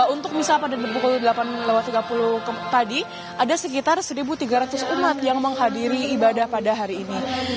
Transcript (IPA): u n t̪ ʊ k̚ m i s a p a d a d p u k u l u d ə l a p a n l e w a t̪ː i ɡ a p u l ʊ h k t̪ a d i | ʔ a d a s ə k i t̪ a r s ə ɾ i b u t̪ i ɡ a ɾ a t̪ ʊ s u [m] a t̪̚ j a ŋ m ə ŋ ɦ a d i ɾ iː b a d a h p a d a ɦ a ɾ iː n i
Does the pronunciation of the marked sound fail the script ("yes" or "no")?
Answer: no